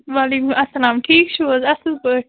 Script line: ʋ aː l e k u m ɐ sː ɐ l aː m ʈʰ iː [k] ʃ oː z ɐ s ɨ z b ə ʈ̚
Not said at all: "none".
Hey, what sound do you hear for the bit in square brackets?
k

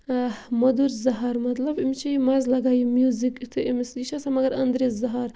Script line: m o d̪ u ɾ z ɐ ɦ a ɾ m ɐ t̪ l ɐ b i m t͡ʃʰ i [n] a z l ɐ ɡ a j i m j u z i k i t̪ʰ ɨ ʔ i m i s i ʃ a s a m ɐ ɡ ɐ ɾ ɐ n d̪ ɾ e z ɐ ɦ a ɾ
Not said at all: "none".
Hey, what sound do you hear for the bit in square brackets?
m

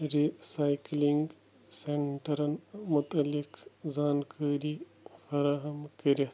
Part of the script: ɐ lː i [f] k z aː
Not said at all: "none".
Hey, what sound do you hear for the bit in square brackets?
none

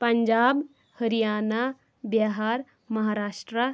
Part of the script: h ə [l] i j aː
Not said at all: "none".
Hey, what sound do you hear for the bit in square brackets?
ɾ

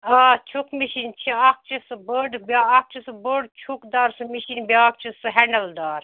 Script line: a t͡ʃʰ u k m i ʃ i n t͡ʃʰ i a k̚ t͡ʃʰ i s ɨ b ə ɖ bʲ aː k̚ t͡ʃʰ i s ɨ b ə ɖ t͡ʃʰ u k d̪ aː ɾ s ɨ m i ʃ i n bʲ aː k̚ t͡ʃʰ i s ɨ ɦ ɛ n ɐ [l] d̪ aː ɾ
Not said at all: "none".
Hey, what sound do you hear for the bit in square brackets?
l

